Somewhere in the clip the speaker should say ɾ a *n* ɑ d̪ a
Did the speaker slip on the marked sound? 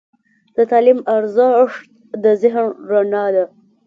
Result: no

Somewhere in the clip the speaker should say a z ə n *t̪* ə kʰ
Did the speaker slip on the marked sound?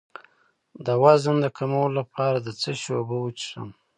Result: yes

